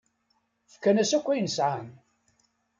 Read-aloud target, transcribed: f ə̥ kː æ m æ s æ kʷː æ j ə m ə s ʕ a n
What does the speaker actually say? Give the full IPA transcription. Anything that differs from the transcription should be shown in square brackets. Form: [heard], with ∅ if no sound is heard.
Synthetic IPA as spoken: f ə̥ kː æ [n] æ s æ kʷː æ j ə [n] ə s ʕ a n